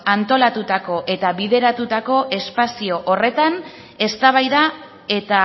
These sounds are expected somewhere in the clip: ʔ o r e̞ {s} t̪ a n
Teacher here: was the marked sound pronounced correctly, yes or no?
no